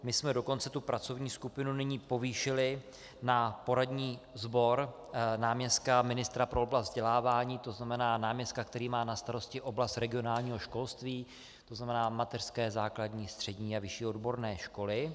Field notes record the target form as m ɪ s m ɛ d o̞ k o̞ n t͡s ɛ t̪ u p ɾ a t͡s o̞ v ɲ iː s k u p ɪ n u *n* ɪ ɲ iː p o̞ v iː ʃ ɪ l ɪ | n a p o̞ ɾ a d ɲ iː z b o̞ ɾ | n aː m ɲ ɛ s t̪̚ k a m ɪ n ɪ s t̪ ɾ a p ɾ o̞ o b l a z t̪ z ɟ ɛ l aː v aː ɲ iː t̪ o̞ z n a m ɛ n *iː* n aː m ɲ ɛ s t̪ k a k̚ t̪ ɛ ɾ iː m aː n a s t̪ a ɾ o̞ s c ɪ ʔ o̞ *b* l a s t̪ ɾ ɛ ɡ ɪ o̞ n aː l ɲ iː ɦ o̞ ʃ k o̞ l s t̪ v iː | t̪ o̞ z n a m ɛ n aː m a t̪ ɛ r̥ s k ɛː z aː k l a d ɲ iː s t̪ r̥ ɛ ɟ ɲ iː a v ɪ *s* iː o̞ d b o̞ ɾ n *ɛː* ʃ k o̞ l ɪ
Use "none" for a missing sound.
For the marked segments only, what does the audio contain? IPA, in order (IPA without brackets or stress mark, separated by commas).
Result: n, aː, b, ʃ, ɛː